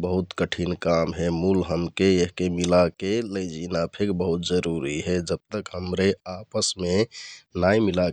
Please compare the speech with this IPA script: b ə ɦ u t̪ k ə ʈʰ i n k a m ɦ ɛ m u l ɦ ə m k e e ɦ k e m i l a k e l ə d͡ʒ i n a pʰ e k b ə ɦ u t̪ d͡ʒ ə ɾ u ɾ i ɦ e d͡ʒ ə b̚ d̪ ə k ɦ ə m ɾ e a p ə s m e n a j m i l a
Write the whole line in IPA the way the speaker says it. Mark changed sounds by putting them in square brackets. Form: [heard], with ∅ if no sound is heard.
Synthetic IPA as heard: b ə ɦ u t̪ k ə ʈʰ i n k a m ɦ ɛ m u l ɦ ə m k e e ɦ k e m i l a k e l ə d͡ʒ i n a pʰ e k b ə ɦ u t̪ d͡ʒ ə ɾ u ɾ i ɦ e d͡ʒ ə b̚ [t̪] ə k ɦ ə m ɾ e a p ə s m e n a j m i l a